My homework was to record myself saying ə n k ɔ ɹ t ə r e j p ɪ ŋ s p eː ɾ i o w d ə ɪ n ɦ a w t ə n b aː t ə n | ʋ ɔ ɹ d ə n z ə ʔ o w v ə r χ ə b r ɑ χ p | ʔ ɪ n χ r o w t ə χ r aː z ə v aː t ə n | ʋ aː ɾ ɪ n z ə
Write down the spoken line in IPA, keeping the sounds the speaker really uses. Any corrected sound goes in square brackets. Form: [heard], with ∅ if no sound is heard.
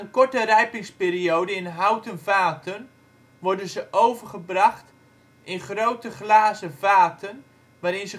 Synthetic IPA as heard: ə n k ɔ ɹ t ə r [ɛ] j p ɪ ŋ s p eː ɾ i o w d ə ɪ n ɦ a w t ə n [v] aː t ə n | ʋ ɔ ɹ d ə n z ə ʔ o w v ə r χ ə b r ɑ χ [t] | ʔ ɪ n χ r o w t ə χ [l] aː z ə v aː t ə n | ʋ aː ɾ ɪ n z ə